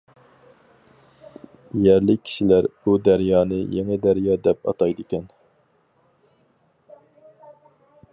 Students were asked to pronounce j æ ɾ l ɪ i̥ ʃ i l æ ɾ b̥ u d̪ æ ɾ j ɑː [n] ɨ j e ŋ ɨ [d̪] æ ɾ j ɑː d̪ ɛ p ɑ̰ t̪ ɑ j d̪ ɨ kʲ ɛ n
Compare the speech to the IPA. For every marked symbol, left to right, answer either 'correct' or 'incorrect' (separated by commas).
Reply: correct, correct